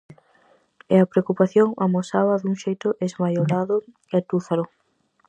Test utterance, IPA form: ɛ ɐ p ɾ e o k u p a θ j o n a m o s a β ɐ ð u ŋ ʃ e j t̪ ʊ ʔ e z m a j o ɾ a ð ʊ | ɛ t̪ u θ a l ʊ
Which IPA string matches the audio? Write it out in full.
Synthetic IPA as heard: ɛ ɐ p ɾ e o k u p a θ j o ŋ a m o s a β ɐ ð u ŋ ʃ e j t̪ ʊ ʔ e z m a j o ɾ a ð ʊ | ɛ t̪ u θ a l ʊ

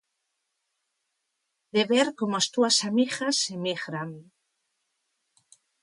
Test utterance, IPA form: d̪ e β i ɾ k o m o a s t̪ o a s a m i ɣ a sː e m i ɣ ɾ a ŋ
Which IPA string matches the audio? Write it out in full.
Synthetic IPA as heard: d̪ e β e ɾ k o m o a s t̪ u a s a m i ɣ a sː e m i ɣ ɾ a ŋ

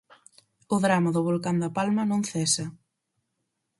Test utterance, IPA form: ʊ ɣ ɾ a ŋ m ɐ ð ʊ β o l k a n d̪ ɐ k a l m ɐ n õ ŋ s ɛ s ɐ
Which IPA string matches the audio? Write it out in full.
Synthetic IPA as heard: ʊ ð ɾ a m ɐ ð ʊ β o l k a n d̪ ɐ p a l m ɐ n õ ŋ θ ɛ s ɐ

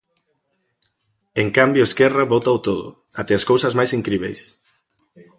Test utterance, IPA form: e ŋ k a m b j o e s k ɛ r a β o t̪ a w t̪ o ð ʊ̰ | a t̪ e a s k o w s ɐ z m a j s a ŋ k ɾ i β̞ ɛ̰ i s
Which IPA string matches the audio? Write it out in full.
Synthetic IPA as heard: e ŋ k a m b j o e s k ɛ r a β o t̪ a w t̪ o ð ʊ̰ | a t̪ e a s k o w s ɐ z m a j s i ŋ k ɾ i β̞ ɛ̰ j s

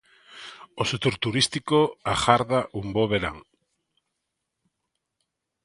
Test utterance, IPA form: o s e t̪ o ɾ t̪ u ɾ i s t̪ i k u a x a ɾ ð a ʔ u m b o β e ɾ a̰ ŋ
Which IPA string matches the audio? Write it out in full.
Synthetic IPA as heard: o s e t̪ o ɾ t̪ u ɾ i s t̪ i k o a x a ɾ ð a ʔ u m b o β e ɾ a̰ ŋ

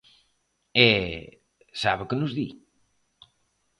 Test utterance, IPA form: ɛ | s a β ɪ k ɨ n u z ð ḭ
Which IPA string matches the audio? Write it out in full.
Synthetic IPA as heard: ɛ | s a β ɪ k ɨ n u z ð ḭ

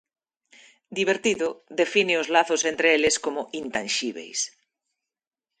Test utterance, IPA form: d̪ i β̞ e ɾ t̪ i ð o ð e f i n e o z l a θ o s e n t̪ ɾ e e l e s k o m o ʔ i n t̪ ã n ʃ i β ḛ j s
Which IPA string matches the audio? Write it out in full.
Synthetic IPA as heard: d̪ i β̞ e ɾ t̪ i ð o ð e f i n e o z l a θ o s e n t̪ ɾ e e l e s k o m o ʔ i n t̪ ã n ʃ i β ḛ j s

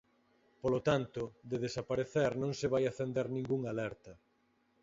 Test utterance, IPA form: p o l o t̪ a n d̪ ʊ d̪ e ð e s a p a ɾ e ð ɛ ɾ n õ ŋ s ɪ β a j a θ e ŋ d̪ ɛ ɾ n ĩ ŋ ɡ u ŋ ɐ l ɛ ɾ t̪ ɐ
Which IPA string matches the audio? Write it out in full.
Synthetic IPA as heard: p o l o t̪ a n t̪ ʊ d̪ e ð e s a p a ɾ e θ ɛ ɾ n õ ŋ s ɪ β a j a θ e n d̪ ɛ ɾ n ĩ ŋ ɡ u ŋ a l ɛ ɾ t̪ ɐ

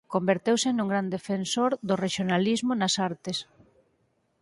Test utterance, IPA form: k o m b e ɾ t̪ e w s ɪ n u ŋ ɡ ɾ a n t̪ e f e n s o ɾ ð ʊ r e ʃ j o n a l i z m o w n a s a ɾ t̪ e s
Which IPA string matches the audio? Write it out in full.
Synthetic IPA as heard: k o m b e ɾ t̪ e w s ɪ n u ŋ ɡ ɾ a n d̪ e f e n s o ɾ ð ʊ r e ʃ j o n a l i z m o n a s a ɾ t̪ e s

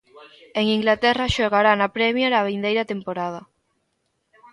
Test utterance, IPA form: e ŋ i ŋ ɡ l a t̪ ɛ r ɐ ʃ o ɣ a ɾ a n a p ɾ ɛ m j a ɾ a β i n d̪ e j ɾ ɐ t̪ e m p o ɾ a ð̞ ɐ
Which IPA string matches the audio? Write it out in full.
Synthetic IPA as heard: e ŋ i ŋ ɡ l a t̪ ɛ r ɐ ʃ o ɣ a ɾ a n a p ɾ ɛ m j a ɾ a β i n d̪ e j ɾ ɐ t̪ e m p o ɾ a ð̞ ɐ

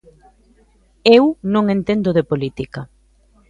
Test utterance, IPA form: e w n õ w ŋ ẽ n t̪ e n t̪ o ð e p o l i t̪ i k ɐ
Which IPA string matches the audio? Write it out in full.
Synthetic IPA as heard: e w n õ ŋ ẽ n t̪ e n d̪ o ð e p o l i t̪ i k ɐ

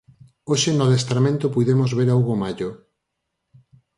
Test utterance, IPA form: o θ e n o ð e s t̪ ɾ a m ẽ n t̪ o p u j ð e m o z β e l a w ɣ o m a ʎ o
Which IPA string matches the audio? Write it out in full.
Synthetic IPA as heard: o ʃ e n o ð e s t̪ ɾ a m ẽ n t̪ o p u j ð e m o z β e ɾ a w ɣ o m a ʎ o

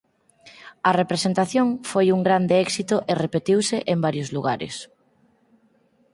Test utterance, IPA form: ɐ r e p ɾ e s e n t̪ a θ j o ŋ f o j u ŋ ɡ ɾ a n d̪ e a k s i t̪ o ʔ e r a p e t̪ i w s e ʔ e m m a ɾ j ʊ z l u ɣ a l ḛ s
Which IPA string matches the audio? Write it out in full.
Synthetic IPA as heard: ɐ r e p ɾ e s e n t̪ a θ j o ŋ f o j u ŋ ɡ ɾ a n d̪ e ɛ k s i t̪ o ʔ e r e p e t̪ i w s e ʔ e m b a ɾ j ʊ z l u ɣ a ɾ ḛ s

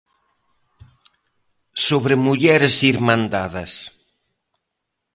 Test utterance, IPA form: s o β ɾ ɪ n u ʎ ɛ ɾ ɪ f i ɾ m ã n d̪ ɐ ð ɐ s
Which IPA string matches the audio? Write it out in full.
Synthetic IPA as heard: s o β ɾ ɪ m u ʎ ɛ ɾ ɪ s i ɾ m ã n d̪ a ð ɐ s

